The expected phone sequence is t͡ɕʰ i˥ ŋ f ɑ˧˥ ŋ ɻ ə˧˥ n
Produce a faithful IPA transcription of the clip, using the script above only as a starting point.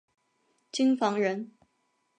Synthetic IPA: t͡ɕ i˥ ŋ f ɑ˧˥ ŋ ɻ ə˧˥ n